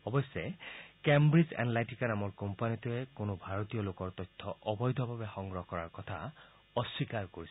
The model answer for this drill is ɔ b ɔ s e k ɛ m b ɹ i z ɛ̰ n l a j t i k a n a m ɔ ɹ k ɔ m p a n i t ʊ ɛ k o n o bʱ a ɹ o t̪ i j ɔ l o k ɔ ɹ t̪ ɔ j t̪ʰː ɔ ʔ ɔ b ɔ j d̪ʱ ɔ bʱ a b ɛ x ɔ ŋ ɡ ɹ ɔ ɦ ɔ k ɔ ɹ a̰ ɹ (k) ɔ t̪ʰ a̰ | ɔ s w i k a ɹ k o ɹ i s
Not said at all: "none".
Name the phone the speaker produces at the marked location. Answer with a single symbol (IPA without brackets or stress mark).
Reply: k